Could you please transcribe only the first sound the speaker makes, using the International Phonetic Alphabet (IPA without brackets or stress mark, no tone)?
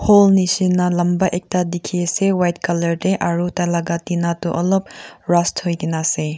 h